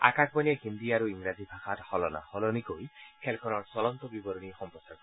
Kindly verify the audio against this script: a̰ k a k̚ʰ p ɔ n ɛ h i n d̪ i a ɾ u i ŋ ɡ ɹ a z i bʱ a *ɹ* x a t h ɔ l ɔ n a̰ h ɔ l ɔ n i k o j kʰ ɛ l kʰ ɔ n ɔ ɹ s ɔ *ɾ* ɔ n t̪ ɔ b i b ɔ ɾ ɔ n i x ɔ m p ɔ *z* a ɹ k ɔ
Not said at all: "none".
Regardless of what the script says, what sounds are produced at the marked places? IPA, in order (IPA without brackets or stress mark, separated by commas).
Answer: none, l, s